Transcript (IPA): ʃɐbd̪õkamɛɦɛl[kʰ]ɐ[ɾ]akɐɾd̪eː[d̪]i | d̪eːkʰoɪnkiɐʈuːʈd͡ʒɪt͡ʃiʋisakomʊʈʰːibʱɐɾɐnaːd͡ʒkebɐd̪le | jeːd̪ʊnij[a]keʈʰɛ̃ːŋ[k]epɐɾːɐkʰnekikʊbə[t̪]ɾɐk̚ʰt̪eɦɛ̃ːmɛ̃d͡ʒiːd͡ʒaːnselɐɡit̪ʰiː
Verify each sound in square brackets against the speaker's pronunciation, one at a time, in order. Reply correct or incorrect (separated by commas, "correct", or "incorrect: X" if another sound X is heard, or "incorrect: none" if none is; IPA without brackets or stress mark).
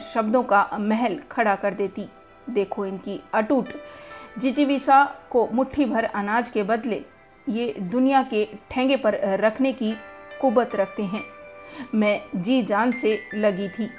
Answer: correct, incorrect: ɽ, incorrect: t̪, correct, incorrect: ɡ, correct